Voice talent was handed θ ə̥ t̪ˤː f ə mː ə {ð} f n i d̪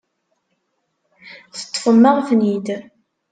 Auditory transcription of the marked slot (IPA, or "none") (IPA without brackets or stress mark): ʁ